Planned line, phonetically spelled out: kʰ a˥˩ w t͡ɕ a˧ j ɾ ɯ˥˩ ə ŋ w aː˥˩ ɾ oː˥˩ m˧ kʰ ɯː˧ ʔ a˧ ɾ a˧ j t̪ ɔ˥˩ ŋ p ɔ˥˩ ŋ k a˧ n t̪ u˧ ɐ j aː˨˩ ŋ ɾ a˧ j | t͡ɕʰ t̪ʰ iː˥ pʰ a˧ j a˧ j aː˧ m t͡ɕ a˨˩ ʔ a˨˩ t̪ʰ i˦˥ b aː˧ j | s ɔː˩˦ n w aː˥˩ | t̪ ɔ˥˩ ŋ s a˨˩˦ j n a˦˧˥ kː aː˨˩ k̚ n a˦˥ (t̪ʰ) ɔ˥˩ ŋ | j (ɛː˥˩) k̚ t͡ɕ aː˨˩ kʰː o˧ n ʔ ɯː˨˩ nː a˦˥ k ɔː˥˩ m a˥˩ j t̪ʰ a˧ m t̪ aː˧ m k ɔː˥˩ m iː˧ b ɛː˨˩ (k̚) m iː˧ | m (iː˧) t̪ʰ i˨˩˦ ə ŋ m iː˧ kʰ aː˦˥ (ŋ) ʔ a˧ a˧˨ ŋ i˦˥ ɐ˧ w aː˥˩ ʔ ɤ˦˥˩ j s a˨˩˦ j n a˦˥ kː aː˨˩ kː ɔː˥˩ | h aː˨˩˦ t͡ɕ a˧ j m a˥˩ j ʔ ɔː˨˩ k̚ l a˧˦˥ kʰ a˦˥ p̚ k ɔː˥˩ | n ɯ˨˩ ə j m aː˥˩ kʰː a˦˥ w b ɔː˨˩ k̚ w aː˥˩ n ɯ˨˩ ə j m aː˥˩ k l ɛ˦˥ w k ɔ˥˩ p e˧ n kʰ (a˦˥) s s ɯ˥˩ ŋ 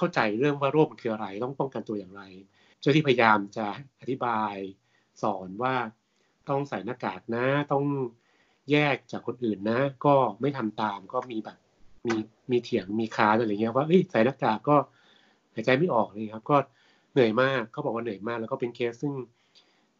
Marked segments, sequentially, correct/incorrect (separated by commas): incorrect, correct, incorrect, correct, incorrect, incorrect